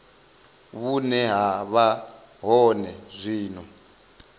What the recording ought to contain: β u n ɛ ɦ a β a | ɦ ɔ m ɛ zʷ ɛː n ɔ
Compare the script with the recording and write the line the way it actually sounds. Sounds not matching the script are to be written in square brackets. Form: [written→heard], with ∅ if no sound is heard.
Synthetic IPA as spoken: β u n ɛ ɦ a β a | ɦ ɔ [m→n] ɛ zʷ [ɛː→iː] n ɔ